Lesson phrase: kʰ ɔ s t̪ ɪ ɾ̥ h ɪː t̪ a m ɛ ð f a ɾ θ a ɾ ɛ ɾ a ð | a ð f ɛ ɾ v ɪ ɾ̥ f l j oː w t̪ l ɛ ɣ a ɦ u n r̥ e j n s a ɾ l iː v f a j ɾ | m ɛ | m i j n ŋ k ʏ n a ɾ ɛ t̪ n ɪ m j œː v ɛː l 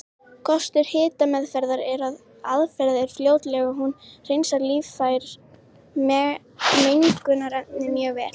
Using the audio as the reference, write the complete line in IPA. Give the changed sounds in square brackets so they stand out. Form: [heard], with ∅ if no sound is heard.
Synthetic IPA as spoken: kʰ ɔ s t̪ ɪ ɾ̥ h ɪː t̪ a m ɛ ð f [ɛ] ɾ [ð] a ɾ ɛ ɾ a ð | a ð f ɛ ɾ [ð] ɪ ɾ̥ f l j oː w t̪ l ɛ ɣ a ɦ u n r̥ e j n s a ɾ l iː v f a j ɾ | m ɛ | m [e] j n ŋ k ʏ n a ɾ ɛ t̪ n ɪ m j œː v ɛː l